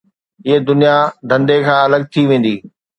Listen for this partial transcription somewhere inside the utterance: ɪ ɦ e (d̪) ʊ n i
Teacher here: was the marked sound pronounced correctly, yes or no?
yes